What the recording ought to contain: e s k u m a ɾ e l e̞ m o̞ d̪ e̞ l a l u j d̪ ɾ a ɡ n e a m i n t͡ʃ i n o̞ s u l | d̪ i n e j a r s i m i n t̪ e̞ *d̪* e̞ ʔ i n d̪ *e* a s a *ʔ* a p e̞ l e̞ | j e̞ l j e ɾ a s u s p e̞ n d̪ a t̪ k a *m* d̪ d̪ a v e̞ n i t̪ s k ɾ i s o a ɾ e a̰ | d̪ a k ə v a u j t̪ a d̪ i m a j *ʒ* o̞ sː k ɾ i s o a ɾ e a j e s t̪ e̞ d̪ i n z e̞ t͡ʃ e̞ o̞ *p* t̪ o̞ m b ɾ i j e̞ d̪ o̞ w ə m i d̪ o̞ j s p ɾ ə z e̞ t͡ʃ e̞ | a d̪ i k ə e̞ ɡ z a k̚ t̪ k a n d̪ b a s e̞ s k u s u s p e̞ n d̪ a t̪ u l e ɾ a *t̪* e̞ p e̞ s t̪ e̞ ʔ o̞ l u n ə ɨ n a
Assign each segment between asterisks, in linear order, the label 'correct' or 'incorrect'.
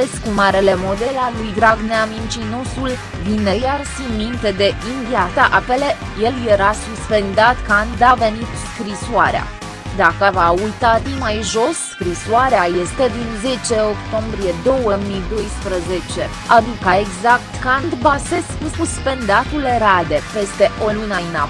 correct, incorrect, correct, incorrect, correct, incorrect, incorrect

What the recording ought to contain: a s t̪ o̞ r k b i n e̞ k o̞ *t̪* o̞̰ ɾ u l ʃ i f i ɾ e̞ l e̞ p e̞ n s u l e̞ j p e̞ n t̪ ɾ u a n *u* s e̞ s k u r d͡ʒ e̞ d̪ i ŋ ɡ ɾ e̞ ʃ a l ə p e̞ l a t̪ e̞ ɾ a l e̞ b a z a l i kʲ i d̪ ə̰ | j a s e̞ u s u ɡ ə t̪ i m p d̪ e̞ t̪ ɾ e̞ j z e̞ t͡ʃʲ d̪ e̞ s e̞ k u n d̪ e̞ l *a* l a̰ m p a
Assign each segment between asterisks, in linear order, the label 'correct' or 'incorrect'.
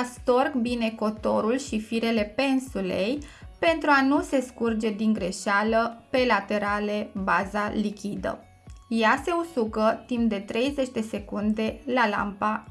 correct, correct, correct

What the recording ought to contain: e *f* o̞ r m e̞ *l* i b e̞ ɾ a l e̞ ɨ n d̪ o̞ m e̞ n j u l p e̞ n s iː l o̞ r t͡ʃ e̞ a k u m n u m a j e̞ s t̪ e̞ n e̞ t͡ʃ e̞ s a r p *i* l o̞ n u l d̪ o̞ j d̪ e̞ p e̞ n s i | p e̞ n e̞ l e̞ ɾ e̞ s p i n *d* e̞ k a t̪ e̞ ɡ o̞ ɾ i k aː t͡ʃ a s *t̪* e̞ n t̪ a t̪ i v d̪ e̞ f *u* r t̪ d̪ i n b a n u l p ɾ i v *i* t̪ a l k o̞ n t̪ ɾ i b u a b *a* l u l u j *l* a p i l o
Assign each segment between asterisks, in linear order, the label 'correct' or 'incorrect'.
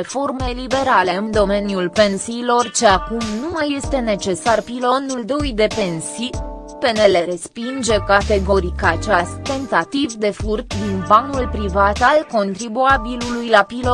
correct, correct, correct, incorrect, correct, correct, incorrect, incorrect, correct

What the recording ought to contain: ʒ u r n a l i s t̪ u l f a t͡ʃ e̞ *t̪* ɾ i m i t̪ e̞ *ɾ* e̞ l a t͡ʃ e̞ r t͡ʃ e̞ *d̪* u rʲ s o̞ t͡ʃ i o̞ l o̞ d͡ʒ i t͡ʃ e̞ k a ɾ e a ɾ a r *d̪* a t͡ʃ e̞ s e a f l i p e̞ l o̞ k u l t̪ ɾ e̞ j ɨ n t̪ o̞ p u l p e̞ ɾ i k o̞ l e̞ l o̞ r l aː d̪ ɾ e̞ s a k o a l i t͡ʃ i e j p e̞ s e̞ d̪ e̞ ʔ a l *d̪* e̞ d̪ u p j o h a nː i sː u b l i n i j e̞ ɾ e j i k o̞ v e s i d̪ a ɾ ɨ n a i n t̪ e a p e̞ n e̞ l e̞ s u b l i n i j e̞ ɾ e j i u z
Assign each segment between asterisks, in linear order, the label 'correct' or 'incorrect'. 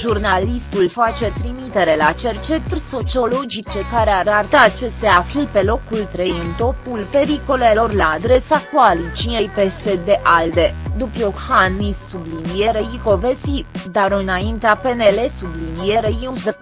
correct, correct, incorrect, incorrect, correct

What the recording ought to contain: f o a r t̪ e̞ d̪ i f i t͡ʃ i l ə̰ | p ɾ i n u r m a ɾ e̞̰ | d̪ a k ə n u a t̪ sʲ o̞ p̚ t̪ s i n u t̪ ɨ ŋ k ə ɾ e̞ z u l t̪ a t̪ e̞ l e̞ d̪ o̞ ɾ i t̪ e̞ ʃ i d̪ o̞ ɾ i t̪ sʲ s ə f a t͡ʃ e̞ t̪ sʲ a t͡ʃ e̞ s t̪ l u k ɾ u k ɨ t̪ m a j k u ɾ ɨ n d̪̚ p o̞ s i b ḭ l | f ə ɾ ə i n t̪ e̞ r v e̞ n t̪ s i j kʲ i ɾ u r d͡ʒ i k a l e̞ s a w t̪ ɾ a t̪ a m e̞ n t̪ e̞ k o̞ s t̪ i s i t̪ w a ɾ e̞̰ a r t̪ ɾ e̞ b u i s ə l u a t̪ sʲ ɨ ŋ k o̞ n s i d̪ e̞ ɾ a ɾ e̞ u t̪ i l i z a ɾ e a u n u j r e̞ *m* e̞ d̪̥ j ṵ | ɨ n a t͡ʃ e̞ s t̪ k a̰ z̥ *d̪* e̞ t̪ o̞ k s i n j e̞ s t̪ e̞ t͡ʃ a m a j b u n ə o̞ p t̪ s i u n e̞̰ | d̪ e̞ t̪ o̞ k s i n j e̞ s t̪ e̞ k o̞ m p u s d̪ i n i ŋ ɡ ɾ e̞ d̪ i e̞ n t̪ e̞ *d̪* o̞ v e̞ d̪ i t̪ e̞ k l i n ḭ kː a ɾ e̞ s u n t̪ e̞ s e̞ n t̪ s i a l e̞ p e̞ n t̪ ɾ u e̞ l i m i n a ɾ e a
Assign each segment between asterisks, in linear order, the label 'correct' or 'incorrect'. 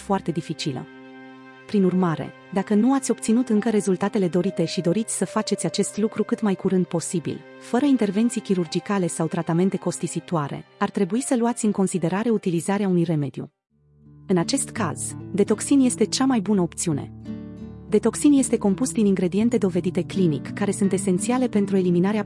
correct, correct, correct

